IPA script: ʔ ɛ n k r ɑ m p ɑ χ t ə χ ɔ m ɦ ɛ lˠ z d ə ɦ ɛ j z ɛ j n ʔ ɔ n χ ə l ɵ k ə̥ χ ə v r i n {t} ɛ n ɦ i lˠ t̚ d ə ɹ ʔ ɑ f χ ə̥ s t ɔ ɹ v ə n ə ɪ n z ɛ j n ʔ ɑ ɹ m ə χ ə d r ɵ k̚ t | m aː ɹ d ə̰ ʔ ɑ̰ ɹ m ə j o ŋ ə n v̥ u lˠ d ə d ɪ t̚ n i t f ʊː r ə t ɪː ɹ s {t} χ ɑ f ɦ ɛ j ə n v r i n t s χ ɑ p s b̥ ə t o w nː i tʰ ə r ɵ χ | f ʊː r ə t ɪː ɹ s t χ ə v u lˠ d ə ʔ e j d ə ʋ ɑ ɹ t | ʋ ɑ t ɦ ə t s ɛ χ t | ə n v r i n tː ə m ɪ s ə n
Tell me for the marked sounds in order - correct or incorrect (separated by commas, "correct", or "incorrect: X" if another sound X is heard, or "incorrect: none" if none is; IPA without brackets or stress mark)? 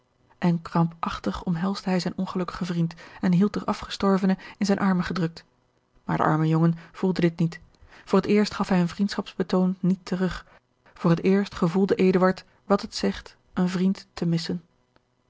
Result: correct, correct